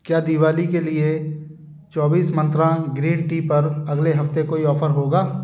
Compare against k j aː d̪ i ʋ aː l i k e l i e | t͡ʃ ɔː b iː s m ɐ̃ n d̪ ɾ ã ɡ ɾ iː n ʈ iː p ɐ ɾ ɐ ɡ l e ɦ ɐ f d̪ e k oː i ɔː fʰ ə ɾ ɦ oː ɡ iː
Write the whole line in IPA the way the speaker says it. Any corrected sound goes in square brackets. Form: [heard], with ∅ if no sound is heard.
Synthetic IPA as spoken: k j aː d̪ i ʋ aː l i k e l i e | t͡ʃ ɔː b iː s m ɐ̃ n [t̪] ɾ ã ɡ ɾ iː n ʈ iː p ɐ ɾ ɐ ɡ l e ɦ ɐ f [t̪] e k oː i ɔː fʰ ə ɾ ɦ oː ɡ [aː]